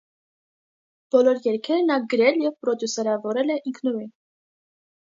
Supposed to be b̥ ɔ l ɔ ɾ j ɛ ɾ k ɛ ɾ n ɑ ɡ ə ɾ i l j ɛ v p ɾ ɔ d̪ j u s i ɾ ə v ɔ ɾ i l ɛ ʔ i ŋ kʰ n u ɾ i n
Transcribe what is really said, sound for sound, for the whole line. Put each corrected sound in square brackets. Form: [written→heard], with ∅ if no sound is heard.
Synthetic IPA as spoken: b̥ ɔ l ɔ ɾ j ɛ ɾ [k→kʰ] ɛ ɾ n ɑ ɡ ə ɾ [i→ɛ] l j ɛ v p ɾ ɔ d̪ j u s [i→ɛ] ɾ [ə→ɑ] v ɔ ɾ [i→ɛ] l ɛ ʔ i ŋ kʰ n u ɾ i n